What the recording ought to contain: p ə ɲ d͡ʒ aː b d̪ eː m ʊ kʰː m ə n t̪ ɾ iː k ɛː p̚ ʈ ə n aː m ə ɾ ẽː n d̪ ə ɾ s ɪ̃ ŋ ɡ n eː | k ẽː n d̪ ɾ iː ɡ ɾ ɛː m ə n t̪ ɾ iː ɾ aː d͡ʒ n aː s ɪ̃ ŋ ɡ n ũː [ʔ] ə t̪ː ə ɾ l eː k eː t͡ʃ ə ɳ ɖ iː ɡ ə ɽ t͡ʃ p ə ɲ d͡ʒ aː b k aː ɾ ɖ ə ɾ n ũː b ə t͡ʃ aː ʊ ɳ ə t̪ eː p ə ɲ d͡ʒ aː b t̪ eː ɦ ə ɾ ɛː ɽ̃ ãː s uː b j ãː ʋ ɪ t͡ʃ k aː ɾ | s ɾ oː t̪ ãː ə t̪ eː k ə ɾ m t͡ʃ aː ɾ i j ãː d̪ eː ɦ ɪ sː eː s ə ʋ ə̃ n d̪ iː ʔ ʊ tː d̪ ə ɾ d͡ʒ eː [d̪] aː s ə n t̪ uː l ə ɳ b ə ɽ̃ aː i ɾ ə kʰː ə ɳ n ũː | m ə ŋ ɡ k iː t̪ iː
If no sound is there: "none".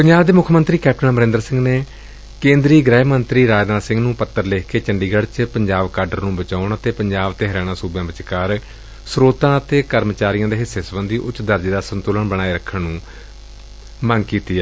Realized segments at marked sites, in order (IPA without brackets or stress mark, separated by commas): p, d̪